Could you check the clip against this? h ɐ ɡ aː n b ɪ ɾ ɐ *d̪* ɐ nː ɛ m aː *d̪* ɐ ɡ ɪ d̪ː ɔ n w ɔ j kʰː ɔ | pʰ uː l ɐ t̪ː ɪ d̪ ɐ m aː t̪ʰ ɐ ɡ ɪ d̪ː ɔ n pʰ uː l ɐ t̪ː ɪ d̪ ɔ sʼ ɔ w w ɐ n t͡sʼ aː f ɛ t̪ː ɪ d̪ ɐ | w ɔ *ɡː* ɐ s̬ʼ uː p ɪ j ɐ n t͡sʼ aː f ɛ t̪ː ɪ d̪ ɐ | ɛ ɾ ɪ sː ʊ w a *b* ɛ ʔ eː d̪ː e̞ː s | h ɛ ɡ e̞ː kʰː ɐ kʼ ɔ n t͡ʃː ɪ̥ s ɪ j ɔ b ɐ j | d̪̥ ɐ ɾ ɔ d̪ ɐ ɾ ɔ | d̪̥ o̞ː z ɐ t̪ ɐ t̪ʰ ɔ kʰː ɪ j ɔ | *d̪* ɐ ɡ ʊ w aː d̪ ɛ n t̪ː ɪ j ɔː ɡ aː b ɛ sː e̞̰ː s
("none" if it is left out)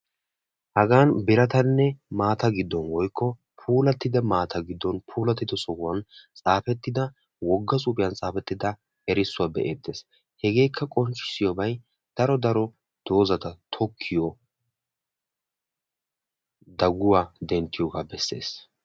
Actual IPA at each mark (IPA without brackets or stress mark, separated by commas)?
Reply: t̪, t̪, ɡː, b, d̪